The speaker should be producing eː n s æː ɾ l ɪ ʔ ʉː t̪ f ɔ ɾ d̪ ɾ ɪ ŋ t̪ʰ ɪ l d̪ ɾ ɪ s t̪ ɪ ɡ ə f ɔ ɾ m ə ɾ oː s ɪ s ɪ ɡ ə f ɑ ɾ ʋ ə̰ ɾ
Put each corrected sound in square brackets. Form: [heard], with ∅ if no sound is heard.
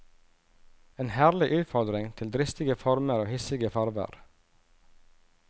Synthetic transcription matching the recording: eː n [h] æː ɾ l ɪ ʔ ʉː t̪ f ɔ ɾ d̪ ɾ ɪ ŋ t̪ʰ ɪ l d̪ ɾ ɪ s t̪ ɪ ɡ ə f ɔ ɾ m ə ɾ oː [h] ɪ s ɪ ɡ ə f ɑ ɾ ʋ ə̰ ɾ

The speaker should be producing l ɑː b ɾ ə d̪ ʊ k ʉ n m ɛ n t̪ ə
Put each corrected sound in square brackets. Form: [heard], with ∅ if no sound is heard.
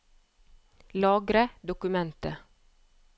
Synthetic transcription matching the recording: l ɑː [ɡ] ɾ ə d̪ ʊ k ʉ [∅] m ɛ n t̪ ə

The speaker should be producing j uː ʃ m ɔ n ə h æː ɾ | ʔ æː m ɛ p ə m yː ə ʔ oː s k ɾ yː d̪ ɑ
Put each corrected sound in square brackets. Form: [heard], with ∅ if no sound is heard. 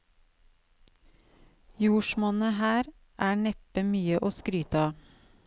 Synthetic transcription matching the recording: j uː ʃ m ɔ n ə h æː ɾ | ʔ æː [ɳ] ɛ p ə m yː ə ʔ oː s k ɾ yː [t̪] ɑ

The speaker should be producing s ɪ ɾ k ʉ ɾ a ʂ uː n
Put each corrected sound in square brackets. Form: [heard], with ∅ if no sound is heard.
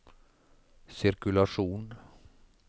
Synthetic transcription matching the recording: s ɪ ɾ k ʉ [l] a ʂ uː n

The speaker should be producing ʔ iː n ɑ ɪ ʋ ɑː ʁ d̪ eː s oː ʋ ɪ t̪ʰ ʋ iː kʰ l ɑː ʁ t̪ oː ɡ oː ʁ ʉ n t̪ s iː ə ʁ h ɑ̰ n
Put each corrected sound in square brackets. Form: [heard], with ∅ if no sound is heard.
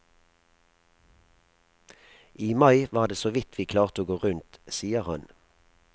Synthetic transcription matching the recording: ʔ iː [m] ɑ ɪ ʋ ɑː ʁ d̪ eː s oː ʋ ɪ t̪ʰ ʋ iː kʰ l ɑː ʁ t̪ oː ɡ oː ʁ ʉ n t̪ s iː ə ʁ h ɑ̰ n

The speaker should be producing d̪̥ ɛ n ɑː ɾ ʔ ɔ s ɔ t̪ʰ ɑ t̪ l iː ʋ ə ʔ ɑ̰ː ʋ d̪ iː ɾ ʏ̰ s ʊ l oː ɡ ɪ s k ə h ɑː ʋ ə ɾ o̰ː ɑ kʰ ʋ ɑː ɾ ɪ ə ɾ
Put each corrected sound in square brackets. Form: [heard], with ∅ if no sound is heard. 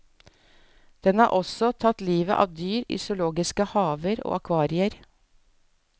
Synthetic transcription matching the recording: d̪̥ ɛ n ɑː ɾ ʔ ɔ s ɔ t̪ʰ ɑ t̪ l iː ʋ ə ʔ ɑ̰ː ʋ d̪ [yː] ɾ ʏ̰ s ʊ l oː ɡ ɪ s k ə h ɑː ʋ ə ɾ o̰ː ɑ kʰ ʋ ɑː ɾ ɪ ə ɾ

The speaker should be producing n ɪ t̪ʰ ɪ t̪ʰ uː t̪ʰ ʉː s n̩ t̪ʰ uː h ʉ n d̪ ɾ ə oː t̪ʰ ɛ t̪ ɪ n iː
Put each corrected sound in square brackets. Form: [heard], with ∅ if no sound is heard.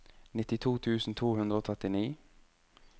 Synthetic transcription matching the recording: n ɪ [t̪] ɪ t̪ʰ uː t̪ʰ ʉː s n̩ t̪ʰ uː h ʉ n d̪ ɾ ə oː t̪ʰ ɛ t̪ ɪ n iː

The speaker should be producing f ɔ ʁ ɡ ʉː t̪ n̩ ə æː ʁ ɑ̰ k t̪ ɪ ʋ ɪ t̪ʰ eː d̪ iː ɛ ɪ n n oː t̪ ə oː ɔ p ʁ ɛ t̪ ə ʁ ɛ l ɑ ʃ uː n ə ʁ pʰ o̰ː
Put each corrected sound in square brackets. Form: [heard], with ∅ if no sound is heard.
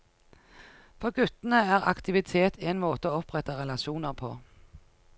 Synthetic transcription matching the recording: f ɔ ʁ ɡ [ʉ] t̪ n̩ ə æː ʁ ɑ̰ k t̪ ɪ ʋ ɪ t̪ʰ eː [t̪] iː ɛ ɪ n [m] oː t̪ ə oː ɔ p ʁ ɛ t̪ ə ʁ ɛ l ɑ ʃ uː n ə ʁ pʰ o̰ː

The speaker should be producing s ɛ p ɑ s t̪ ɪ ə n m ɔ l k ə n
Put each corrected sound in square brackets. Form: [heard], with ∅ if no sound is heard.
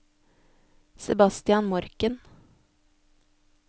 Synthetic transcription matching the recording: s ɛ [b] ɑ s t̪ ɪ [ɑ] n m ɔ [ɾ] k ə n

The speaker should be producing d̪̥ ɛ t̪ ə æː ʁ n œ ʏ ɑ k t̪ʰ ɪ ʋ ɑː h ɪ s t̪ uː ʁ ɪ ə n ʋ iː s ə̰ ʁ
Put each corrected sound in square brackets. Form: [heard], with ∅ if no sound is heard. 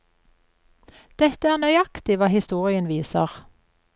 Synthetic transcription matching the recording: d̪̥ ɛ t̪ ə æː ʁ n œ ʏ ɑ k [t̪] ɪ ʋ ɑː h ɪ s t̪ uː ʁ ɪ ə n ʋ iː s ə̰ ʁ

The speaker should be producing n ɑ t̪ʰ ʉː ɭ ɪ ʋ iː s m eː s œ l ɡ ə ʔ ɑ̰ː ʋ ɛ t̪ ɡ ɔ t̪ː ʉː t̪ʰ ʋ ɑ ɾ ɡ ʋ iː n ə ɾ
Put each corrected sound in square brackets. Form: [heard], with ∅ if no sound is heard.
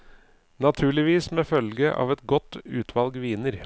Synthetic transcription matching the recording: n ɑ t̪ʰ ʉː ɭ ɪ ʋ iː s m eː [f] œ l ɡ ə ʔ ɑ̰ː ʋ ɛ t̪ ɡ ɔ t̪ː ʉː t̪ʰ ʋ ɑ [l] ɡ ʋ iː n ə ɾ

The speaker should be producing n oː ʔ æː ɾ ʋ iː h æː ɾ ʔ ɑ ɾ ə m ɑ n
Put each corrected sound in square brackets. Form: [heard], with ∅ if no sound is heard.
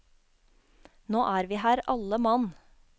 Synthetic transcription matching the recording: n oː ʔ æː ɾ ʋ iː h æː ɾ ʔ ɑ [l] ə m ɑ n

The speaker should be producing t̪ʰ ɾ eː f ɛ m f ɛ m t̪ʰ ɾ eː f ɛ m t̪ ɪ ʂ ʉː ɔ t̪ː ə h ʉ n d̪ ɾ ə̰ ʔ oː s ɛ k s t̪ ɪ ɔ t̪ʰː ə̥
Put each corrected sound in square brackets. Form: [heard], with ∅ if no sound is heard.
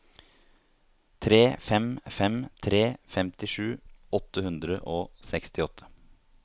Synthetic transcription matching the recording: t̪ʰ ɾ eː f ɛ m f ɛ m t̪ʰ ɾ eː f ɛ m t̪ ɪ ʂ ʉː ɔ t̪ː ə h ʉ n d̪ ɾ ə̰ ʔ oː s ɛ k s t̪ ɪ ɔ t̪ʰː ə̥

